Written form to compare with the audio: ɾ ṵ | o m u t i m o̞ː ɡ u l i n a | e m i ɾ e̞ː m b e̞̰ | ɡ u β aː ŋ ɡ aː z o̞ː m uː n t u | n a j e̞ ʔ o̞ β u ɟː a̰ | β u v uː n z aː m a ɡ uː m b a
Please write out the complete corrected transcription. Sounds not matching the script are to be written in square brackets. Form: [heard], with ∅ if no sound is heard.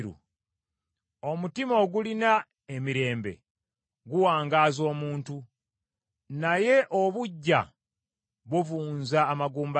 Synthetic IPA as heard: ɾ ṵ | o m u t i m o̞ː ɡ u l i n a | e m i ɾ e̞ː m b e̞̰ | ɡ u [w] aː ŋ ɡ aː z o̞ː m uː n t u | n a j e̞ ʔ o̞ β u ɟː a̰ | β u v uː n z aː m a ɡ uː m b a

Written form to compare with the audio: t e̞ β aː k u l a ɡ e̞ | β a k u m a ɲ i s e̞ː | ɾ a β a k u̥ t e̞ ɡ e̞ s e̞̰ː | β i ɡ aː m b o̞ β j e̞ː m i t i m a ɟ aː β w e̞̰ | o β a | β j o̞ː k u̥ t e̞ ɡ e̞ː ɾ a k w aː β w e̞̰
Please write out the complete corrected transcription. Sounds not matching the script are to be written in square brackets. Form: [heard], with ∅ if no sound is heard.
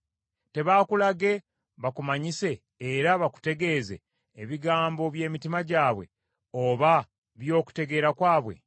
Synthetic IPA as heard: t e̞ β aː k u l a ɡ e̞ | β a k u m a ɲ i s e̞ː | ɾ a β a k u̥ t e̞ ɡ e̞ [z] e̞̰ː | β i ɡ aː m b o̞ β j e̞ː m i t i m a ɟ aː β w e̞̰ | o β a | β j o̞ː k u̥ t e̞ ɡ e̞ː ɾ a k w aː β w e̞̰

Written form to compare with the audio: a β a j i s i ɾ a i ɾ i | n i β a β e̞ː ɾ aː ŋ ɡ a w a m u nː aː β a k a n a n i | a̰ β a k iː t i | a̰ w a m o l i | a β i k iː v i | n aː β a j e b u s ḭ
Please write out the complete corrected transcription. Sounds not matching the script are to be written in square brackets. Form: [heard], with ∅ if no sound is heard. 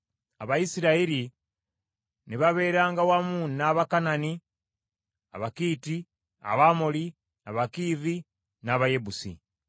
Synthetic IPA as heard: a β a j i s i ɾ a i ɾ i | n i β a β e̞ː ɾ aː ŋ ɡ a w a m u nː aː β a k a n a n i | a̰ β a k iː t i | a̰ [β] a m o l i | a β [a] k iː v i | n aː β a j e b u s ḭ

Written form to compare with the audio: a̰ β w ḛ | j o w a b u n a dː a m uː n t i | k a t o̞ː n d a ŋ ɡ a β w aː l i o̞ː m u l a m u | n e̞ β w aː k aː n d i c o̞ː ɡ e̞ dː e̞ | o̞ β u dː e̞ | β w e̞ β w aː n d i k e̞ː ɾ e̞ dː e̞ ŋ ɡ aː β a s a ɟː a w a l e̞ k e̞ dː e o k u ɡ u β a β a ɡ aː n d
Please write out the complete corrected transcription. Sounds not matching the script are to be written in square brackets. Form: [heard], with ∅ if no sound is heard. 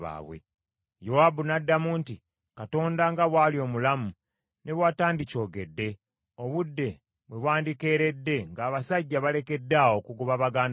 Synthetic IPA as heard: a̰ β w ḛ | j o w a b u n a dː a m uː n t i | k a t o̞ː n d a ŋ ɡ a β w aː l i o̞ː m u l a m u | n e̞ β w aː [t] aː n d i c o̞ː ɡ e̞ dː e̞ | o̞ β u dː e̞ | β w e̞ β w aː n d i k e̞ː ɾ e̞ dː e̞ ŋ ɡ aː β a s a ɟː a [β] a l e̞ k e̞ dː [a] o k u ɡ u β a β a ɡ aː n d

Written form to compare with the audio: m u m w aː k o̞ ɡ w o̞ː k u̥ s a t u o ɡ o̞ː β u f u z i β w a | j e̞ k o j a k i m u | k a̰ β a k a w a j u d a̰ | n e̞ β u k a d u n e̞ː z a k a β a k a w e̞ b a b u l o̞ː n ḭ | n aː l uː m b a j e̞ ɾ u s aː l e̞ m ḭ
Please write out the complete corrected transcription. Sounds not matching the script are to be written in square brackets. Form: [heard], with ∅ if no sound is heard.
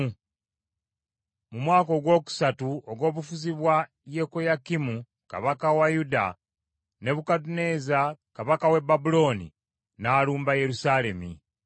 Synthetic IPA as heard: m u m w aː k o̞ ɡ w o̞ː k u̥ s a t u o ɡ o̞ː β u f u z i β w a | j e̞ k o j a k i m u | k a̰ β a k a w a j u d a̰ | n e̞ β u k a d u n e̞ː z a k a β a k a w e̞ b a b u l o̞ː n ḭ | n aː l uː m b a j e̞ ɾ u s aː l e̞ m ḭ

